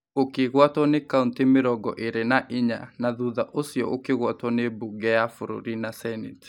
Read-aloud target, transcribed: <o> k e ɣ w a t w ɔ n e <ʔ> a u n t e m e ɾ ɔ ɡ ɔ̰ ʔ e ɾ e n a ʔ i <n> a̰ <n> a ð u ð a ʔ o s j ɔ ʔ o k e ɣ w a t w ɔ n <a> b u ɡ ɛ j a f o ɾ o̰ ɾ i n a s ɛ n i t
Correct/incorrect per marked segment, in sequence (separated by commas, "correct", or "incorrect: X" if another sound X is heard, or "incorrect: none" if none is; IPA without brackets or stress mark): correct, incorrect: k, incorrect: ɲ, correct, incorrect: e